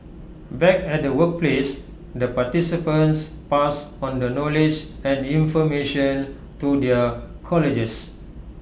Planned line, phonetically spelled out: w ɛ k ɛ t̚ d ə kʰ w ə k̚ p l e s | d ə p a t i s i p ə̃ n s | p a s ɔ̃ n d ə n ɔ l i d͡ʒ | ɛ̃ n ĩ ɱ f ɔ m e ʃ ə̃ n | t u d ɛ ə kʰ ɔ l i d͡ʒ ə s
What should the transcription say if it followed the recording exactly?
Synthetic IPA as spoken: b ɛ k ɛ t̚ d ə w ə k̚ p l e s | d ə p a t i s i p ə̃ n s | p a s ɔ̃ n d ə n ɔ l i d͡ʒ | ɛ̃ n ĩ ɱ f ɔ m e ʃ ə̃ n | t u d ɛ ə kʰ ɔ l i d͡ʒ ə s